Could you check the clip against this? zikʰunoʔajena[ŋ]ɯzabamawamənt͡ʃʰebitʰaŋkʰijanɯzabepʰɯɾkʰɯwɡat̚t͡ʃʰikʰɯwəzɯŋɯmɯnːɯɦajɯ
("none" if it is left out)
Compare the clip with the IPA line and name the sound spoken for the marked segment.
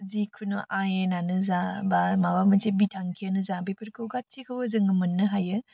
n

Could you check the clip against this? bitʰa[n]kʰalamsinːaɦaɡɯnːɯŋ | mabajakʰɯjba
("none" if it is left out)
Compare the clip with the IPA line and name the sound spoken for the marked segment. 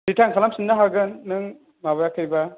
ŋ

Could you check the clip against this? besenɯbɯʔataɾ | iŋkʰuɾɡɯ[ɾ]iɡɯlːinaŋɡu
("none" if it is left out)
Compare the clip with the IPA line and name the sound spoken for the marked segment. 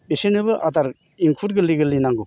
l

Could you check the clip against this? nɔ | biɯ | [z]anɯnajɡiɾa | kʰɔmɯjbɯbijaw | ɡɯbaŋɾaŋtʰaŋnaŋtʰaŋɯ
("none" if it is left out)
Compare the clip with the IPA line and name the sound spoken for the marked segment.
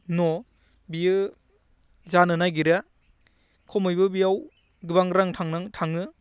z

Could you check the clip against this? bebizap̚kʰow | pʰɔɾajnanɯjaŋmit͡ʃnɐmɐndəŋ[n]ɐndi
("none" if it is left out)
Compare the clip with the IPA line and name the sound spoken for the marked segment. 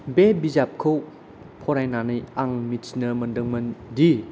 m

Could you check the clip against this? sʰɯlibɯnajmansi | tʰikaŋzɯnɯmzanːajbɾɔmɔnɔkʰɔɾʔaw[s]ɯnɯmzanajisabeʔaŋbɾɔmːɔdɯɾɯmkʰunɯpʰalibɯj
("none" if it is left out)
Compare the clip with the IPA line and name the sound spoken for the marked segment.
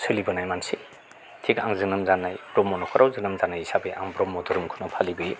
z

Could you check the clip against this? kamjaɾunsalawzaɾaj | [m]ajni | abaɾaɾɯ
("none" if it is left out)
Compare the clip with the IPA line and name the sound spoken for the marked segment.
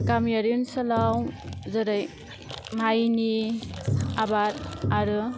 m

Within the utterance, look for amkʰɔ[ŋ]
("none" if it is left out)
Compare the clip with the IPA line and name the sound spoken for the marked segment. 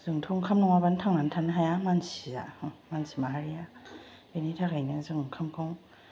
ŋ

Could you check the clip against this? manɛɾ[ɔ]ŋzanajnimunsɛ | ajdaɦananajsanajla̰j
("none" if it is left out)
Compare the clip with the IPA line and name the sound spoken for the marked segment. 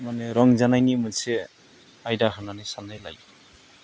ɔ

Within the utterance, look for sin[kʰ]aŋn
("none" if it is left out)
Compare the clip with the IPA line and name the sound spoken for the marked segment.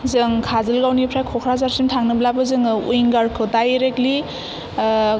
tʰ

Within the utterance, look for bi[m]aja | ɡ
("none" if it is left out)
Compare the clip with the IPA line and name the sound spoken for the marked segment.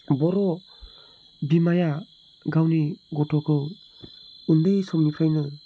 m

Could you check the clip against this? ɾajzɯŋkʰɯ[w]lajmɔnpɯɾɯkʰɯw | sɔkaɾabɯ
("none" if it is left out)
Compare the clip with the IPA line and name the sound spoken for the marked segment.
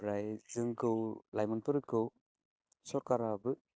w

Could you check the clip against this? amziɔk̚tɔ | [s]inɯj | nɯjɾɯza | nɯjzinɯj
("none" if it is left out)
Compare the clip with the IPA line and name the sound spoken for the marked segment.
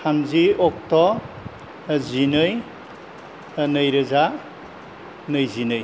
z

